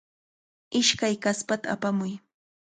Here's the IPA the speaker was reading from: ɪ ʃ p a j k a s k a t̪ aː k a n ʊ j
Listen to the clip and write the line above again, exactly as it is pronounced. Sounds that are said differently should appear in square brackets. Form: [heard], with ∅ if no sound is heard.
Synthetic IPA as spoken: ɪ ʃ [k] a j k a s [p] a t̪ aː [p] a [m] ʊ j